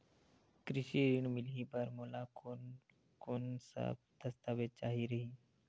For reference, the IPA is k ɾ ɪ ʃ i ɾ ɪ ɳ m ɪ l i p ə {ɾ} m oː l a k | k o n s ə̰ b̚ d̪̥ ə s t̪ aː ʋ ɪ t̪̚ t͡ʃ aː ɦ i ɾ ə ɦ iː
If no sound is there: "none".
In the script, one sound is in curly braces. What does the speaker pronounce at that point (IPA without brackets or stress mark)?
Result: ɾ